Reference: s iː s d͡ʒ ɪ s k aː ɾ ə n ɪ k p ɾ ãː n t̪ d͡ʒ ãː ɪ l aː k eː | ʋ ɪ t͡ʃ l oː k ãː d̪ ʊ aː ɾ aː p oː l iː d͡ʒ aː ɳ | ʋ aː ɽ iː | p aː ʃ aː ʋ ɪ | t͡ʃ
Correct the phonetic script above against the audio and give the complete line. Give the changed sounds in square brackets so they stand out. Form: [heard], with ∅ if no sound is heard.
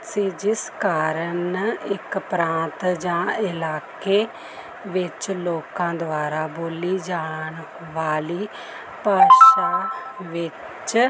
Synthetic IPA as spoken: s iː [∅] d͡ʒ ɪ s k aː ɾ ə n ɪ k p ɾ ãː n t̪ d͡ʒ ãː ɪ l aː k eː | ʋ ɪ t͡ʃ l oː k ãː d̪ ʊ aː ɾ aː [b] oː l iː d͡ʒ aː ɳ | ʋ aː [l] iː | p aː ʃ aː ʋ ɪ | t͡ʃ